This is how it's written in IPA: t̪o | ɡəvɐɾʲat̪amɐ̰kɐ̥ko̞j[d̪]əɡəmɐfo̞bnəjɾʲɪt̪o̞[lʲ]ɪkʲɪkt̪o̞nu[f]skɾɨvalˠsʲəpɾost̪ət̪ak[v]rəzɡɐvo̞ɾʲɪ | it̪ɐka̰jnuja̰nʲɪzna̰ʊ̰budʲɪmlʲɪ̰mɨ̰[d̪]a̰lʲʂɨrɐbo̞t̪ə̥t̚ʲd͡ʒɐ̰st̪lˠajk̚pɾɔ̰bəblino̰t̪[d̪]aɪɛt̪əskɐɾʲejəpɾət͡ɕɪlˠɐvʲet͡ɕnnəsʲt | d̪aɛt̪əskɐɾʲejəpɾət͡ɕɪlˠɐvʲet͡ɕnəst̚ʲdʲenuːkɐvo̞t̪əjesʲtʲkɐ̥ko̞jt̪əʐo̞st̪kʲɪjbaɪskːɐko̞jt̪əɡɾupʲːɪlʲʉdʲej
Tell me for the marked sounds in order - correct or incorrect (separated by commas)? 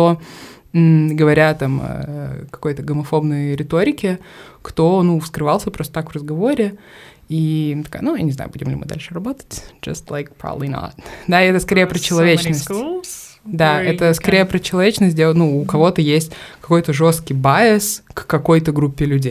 incorrect, incorrect, correct, correct, correct, correct